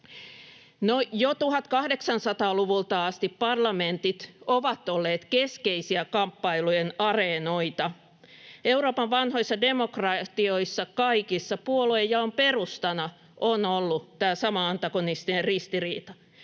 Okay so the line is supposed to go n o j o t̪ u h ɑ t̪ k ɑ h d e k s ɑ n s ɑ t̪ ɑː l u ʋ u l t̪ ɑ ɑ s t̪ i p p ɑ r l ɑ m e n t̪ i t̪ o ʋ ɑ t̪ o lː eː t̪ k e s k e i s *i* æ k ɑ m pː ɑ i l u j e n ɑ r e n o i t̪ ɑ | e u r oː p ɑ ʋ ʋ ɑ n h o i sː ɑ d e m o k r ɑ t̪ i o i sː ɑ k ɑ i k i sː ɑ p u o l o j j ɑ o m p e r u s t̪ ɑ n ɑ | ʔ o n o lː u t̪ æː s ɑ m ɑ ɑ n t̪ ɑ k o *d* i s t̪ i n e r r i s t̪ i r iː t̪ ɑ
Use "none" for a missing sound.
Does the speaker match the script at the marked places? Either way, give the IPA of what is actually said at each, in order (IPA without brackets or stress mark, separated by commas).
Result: i, n